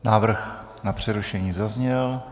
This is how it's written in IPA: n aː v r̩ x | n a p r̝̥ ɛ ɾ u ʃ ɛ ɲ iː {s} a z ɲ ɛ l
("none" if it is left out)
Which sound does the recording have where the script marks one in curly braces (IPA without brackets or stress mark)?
z